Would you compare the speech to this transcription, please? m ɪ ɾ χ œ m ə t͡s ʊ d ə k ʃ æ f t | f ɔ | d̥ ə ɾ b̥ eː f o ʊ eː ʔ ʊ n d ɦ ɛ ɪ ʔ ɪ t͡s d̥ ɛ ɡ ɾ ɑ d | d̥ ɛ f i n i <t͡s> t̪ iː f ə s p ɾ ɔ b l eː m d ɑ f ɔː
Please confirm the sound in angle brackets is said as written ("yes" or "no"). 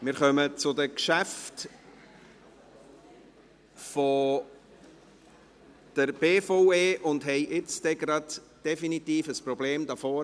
no